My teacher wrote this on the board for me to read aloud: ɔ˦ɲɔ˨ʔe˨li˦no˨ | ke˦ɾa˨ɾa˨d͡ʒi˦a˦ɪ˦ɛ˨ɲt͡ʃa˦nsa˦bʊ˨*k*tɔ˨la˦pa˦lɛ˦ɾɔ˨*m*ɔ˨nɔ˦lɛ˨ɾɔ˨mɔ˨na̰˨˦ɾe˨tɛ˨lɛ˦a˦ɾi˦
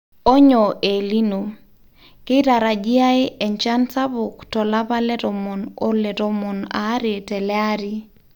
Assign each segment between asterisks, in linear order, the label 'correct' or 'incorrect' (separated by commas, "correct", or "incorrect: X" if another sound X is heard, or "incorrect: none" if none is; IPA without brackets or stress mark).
correct, correct